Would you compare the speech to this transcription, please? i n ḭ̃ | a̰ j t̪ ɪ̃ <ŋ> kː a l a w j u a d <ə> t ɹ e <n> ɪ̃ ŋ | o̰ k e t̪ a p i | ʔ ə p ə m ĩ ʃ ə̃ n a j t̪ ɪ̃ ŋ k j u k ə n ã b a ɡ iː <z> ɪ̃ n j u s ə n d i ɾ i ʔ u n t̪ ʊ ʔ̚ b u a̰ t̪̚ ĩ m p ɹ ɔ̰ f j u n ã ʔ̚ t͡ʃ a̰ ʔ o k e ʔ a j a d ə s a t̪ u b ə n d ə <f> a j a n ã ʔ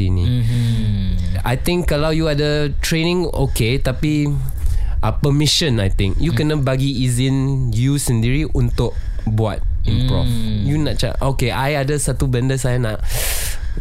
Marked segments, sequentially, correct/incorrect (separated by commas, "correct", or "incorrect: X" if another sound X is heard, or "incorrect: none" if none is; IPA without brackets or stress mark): correct, correct, correct, correct, incorrect: s